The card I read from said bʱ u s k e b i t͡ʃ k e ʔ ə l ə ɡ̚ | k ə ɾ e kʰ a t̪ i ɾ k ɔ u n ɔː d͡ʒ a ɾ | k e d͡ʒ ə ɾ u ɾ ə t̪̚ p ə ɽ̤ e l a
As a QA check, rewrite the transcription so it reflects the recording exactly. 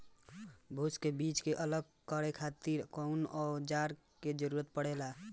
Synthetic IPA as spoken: bʱ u s k e b i t͡ʃ k e ʔ ə l ə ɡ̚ | k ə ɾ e kʰ a t̪ i ɾ k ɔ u n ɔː d͡ʒ a ɾ | k e d͡ʒ ə ɾ u ɾ ə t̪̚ p ə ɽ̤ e l a